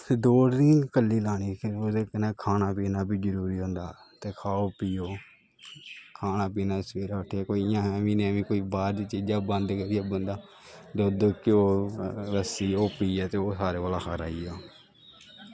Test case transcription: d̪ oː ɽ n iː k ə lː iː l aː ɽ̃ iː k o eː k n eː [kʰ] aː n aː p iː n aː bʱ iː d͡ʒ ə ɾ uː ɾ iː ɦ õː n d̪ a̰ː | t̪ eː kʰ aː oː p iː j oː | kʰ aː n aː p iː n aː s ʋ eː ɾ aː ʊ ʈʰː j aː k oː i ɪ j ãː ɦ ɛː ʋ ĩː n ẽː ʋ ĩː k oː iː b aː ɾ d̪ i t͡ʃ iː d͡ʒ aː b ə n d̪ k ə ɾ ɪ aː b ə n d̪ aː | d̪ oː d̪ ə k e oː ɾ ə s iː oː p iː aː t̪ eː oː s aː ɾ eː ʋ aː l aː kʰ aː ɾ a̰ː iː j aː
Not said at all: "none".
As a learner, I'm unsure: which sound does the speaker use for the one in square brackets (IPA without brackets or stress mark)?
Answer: kʰ